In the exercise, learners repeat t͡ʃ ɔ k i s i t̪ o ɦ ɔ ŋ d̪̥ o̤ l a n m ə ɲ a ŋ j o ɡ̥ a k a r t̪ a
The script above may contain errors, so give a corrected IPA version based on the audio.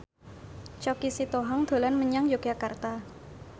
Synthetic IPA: t͡ʃ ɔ k i s i t̪ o ɦ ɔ ŋ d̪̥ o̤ l a n m ə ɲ a ŋ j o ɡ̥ a k a r t̪ a